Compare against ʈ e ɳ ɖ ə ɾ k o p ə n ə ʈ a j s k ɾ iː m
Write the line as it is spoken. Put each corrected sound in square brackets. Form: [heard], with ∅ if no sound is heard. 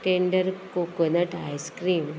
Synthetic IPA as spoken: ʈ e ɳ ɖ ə ɾ k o [k] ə n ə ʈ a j s k ɾ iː m